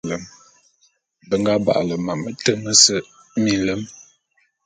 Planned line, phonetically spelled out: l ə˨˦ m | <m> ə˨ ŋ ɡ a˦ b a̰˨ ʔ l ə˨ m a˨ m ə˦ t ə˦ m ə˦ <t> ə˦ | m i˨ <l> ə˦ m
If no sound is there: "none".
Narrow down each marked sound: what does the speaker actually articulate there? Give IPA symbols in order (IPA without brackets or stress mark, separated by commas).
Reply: b, s, l